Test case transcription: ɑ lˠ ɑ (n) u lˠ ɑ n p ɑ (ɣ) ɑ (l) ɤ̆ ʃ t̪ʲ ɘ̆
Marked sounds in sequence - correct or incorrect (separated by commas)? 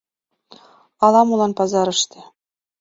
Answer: incorrect, incorrect, incorrect